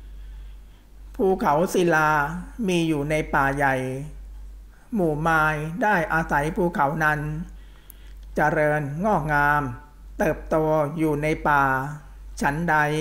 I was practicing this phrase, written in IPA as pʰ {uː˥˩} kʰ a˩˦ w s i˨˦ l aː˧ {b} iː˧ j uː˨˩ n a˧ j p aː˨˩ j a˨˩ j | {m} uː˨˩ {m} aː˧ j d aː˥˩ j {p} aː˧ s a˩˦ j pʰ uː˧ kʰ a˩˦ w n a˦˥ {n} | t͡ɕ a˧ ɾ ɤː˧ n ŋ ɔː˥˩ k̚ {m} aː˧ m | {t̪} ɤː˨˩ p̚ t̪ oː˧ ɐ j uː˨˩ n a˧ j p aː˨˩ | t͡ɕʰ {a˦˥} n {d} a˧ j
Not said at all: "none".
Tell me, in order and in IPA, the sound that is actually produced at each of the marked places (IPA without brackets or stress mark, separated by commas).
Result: uː˧, m, m, m, ʔ, n, ŋ, t̪, a˦˥, d